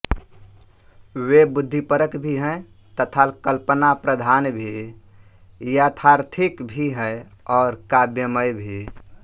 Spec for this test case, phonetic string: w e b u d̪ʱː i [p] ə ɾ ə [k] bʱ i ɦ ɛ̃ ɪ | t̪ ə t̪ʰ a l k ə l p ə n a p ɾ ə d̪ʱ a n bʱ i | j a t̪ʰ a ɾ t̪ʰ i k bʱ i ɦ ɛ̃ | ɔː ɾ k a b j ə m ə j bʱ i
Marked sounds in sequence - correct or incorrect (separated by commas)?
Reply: correct, correct